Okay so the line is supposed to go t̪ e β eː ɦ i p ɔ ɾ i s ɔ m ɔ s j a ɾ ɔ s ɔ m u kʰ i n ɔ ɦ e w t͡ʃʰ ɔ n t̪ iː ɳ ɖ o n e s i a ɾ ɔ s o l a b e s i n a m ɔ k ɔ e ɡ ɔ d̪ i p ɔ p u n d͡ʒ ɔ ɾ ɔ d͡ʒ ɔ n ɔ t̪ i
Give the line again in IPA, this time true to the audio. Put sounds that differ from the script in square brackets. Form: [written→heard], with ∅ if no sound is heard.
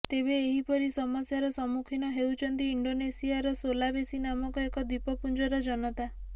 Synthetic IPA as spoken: t̪ e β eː ɦ i p ɔ ɾ i s ɔ m ɔ s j a ɾ ɔ s ɔ m u kʰ i n ɔ ɦ e w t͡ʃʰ ɔ n t̪ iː ɳ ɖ o n e s i a ɾ ɔ s o l a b e s i n a m ɔ k ɔ e [ɡ→k] ɔ d̪ i p ɔ p u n d͡ʒ ɔ ɾ ɔ d͡ʒ ɔ n ɔ t̪ [i→a]